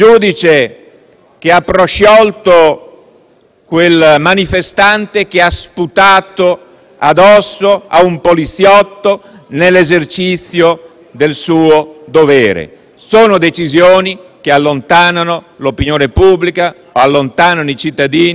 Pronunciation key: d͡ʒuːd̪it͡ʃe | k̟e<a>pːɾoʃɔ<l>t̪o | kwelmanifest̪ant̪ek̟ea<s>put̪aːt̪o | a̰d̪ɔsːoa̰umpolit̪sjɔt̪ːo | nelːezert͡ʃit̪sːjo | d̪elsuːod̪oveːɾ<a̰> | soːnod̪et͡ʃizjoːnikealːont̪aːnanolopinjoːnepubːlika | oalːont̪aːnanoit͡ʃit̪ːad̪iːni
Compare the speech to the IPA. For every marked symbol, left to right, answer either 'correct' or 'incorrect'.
correct, correct, correct, incorrect: ḛ

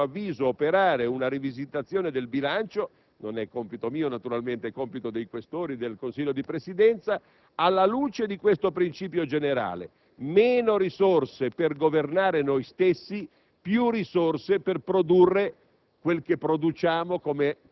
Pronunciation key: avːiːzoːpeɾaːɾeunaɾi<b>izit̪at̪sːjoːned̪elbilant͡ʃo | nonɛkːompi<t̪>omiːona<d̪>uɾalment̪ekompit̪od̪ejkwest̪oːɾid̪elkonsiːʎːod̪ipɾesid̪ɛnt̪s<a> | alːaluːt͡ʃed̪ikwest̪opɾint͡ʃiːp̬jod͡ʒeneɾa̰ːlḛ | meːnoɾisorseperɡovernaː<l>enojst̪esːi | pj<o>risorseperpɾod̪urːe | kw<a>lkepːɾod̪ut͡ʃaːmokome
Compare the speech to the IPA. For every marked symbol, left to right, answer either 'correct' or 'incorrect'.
incorrect: v, correct, incorrect: t̪, correct, incorrect: ɾ, incorrect: u, incorrect: e

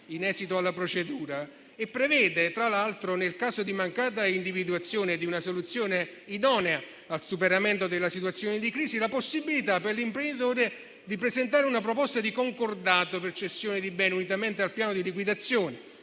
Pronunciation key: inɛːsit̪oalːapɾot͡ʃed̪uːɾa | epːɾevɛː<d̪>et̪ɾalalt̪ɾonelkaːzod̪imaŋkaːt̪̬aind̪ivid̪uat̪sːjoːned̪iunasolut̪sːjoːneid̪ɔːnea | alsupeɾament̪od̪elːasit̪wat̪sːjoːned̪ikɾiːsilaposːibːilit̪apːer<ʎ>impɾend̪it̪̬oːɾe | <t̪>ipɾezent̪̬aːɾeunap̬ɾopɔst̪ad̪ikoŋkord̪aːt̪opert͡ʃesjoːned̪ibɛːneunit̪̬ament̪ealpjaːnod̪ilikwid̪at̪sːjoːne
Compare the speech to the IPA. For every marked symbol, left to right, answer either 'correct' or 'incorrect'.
correct, incorrect: l, incorrect: d̪

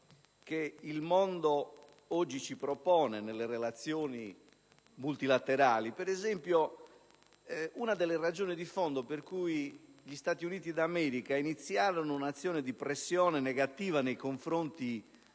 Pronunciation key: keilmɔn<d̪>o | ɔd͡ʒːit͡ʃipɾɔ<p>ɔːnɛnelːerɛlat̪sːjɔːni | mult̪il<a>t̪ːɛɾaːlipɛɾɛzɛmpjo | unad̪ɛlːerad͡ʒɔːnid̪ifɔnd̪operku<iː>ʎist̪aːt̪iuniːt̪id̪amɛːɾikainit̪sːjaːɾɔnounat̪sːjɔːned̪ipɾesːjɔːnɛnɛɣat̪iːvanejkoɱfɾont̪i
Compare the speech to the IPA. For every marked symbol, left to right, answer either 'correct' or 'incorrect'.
correct, correct, correct, incorrect: i

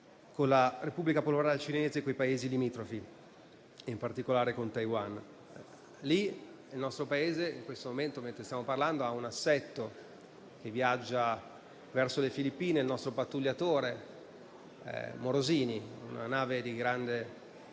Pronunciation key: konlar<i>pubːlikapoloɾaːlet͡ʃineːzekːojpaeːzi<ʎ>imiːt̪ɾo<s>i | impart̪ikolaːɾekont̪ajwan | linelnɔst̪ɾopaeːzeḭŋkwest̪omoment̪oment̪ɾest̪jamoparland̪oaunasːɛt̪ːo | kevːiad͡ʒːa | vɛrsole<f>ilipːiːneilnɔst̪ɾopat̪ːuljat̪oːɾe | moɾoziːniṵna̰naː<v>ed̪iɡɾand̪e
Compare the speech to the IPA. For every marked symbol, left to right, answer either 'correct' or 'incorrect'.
incorrect: e, incorrect: l, incorrect: f, correct, correct

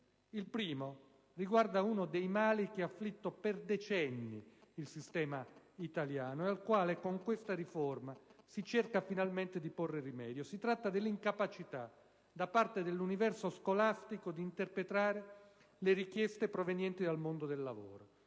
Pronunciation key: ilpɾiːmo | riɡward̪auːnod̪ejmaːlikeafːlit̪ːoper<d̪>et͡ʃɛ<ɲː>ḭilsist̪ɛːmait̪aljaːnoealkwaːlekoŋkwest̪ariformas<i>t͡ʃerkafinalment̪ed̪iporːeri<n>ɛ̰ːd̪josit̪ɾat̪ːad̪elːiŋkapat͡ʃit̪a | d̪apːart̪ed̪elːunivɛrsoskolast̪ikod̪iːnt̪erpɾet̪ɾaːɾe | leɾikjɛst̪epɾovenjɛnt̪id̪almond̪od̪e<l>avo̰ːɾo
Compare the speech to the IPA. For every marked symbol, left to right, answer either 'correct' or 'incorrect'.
correct, incorrect: nː, correct, incorrect: m, incorrect: lː

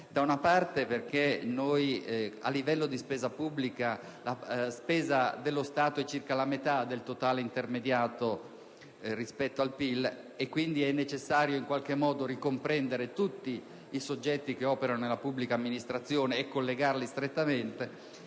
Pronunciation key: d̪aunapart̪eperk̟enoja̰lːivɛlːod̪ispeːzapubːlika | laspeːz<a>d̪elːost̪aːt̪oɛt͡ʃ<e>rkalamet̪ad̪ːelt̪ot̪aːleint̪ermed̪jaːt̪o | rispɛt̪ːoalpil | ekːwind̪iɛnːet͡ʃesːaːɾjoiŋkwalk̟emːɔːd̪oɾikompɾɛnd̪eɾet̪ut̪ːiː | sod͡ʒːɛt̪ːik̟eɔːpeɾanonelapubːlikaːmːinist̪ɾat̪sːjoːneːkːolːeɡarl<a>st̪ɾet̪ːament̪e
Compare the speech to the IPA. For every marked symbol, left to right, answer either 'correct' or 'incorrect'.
correct, incorrect: i, incorrect: i

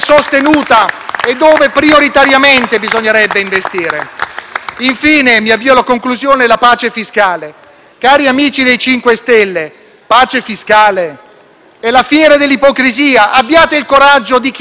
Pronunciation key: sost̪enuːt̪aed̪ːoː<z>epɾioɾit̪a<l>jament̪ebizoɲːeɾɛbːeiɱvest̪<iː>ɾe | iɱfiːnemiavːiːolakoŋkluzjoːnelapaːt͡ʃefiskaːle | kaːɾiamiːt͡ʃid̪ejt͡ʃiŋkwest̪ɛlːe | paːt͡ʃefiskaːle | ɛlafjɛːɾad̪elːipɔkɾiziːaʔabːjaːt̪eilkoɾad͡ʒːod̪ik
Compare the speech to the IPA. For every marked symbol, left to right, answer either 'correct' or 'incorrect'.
incorrect: v, incorrect: ɾ, correct

